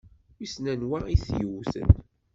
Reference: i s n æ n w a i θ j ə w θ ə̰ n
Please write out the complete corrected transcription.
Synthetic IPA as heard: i s n æ n w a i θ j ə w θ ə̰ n